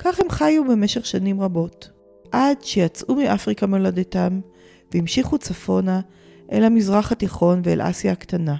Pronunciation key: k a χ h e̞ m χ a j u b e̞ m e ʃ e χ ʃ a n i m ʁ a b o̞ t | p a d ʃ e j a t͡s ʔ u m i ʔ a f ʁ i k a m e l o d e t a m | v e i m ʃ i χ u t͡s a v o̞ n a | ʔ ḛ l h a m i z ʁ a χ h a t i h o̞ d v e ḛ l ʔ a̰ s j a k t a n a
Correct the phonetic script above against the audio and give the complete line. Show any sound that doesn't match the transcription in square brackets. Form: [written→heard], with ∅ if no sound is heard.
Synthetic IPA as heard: k a χ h e̞ m χ a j u b e̞ m e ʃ e χ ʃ a n i m ʁ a b o̞ t | [p→ʔ] a d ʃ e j a t͡s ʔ u m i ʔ a f ʁ i k a m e l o d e t a m | v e i m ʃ i χ u t͡s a [v→f] o̞ n a | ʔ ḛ l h a m i z ʁ a χ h a t i [h→χ] o̞ [d→n] v e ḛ l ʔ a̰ s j a k t a n a